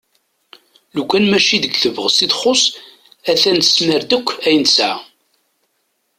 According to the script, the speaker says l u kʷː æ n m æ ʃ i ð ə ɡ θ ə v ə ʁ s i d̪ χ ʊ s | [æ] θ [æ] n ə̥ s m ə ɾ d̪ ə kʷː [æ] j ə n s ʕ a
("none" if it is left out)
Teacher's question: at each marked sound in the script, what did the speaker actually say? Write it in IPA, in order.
æ, æ, æ

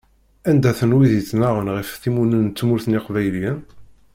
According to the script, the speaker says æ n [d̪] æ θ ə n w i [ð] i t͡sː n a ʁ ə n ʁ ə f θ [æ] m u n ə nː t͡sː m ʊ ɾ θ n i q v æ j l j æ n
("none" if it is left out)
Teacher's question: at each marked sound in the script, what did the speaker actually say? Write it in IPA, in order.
d̪, ð, i

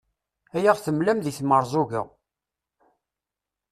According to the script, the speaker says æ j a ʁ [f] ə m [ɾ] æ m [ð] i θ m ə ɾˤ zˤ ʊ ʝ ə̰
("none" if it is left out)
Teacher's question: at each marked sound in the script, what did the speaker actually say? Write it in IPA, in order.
θ, l, ð

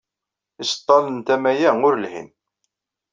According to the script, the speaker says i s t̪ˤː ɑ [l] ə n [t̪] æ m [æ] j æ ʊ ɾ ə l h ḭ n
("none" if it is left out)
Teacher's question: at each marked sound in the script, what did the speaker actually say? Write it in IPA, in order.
l, t̪, æ

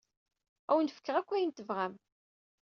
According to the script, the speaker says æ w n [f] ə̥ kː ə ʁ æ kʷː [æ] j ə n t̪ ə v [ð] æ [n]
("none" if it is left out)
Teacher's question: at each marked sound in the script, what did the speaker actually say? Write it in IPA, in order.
f, æ, ʁ, m

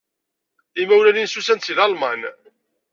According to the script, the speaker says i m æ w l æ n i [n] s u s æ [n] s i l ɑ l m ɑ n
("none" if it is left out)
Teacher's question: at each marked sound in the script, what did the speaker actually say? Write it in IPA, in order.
n, n

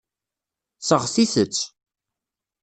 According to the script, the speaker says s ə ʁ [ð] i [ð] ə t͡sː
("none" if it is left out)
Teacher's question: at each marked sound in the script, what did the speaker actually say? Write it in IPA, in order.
θ, θ

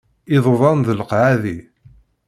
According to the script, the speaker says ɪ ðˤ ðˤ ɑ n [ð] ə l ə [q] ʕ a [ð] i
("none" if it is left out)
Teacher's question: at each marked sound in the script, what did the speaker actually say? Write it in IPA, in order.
ð, q, ð

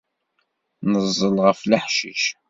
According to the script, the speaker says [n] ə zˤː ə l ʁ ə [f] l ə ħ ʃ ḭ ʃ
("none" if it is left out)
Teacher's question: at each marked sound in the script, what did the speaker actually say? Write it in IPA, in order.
n, f

